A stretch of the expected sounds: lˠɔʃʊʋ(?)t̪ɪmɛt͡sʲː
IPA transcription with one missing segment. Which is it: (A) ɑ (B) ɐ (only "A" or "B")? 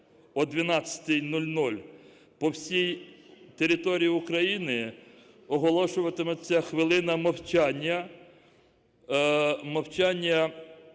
B